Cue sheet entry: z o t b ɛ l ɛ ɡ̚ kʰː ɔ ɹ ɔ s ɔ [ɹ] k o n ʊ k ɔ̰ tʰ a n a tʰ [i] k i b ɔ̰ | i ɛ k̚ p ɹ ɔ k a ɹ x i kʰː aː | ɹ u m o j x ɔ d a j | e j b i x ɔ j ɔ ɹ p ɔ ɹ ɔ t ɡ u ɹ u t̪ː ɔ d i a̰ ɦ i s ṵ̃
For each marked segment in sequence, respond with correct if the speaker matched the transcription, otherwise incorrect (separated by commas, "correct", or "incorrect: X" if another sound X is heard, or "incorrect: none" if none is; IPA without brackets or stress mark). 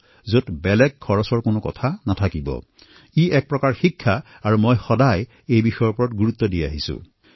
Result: correct, incorrect: a